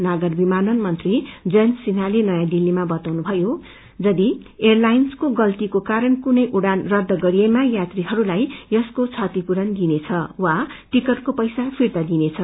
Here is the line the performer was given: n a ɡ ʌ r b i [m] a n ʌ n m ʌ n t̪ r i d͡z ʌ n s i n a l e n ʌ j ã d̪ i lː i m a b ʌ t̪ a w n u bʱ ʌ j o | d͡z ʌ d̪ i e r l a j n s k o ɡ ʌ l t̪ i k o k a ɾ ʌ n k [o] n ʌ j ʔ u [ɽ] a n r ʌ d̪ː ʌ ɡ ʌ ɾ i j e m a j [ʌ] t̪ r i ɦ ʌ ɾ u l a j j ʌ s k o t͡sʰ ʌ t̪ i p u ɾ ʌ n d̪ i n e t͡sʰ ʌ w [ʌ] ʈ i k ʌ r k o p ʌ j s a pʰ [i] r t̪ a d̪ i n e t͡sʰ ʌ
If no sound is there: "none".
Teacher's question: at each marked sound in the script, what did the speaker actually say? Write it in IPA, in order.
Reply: m, u, ɽ, a, a, i

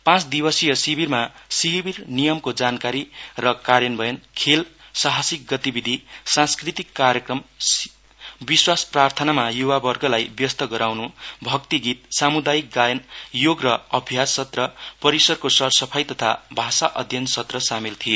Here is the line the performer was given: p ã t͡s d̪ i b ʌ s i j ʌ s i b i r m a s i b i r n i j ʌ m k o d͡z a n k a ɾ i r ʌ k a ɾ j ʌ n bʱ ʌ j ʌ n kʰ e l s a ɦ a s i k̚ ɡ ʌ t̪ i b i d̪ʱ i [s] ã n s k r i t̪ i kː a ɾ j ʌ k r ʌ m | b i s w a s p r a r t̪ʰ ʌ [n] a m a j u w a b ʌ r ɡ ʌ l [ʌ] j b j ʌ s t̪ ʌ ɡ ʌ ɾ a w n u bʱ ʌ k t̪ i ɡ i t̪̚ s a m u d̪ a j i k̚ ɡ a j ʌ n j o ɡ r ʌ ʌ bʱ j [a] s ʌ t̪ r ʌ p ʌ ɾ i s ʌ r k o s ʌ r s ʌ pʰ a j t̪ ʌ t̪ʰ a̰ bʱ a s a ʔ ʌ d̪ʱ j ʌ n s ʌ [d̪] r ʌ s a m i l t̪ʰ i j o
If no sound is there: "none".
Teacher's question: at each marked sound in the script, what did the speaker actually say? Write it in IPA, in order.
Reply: s, n, a, a, t̪

